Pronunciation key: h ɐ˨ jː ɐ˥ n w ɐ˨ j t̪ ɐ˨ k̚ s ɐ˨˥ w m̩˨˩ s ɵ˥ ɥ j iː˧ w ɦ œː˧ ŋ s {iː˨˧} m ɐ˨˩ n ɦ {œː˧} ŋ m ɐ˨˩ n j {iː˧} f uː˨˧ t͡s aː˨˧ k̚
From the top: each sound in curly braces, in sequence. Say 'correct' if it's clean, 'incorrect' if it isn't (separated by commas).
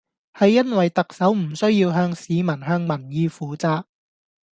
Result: correct, correct, correct